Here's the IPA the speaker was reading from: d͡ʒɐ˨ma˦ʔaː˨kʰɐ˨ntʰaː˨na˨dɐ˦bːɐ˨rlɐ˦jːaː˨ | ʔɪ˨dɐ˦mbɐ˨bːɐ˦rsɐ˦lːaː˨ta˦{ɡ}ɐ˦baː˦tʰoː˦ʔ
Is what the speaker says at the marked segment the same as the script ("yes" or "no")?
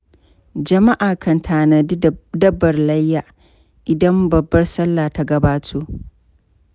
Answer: yes